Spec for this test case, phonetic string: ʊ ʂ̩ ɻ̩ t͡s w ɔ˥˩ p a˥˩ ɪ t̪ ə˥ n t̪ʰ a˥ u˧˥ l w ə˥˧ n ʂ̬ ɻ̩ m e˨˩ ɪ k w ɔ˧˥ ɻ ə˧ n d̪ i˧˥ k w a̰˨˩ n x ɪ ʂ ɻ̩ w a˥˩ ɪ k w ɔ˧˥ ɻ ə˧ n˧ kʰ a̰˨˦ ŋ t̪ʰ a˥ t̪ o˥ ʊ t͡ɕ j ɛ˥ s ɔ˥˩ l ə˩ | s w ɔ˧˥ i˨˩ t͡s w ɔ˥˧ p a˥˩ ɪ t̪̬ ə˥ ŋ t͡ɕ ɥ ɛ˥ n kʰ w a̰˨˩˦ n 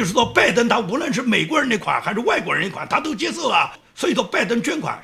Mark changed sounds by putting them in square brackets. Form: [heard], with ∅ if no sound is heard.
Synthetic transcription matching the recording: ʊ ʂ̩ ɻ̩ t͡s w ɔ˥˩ p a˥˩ ɪ t̪ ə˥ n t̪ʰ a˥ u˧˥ l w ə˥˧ n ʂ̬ ɻ̩ m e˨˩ ɪ k w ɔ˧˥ ɻ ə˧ n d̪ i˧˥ [kʰ] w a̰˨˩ n x ɪ ʂ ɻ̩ w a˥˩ ɪ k w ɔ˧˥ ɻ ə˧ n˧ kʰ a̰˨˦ [n] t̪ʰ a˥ t̪ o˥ ʊ t͡ɕ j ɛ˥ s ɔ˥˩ l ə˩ | s w ɔ˧˥ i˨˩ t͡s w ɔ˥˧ p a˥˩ ɪ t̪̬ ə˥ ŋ t͡ɕ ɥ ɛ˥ n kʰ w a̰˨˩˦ n